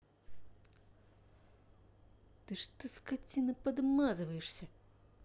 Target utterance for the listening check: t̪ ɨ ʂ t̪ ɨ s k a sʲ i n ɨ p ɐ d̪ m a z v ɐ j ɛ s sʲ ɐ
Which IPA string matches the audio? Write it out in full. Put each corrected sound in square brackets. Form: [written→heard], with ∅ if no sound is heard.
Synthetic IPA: t̪ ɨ ʂ t̪ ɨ s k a [sʲ→t͡sʲ] i n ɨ p ɐ d̪ m a z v ɐ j ɛ [s→ʂ] sʲ ɐ

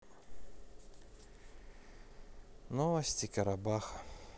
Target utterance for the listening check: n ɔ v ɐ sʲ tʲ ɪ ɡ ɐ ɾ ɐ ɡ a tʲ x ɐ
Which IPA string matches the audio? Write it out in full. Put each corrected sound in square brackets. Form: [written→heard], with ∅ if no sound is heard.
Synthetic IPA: n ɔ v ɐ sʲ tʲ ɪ [ɡ→k] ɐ ɾ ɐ [ɡ→b] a [tʲ→∅] x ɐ

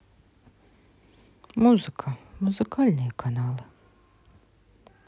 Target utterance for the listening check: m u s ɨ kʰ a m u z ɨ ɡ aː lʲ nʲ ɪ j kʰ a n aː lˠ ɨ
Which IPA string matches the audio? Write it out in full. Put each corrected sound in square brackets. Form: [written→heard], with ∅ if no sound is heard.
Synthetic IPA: m u [s→z] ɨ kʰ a m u z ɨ [ɡ→k] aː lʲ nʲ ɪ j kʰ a n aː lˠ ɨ

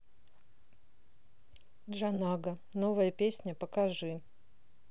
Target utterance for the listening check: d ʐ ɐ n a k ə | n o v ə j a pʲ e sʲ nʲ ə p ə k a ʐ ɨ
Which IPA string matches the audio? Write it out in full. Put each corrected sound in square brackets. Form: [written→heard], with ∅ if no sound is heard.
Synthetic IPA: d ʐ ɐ n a [k→ɡ] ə | n o v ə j [a→ə] pʲ e sʲ nʲ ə p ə k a ʐ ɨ

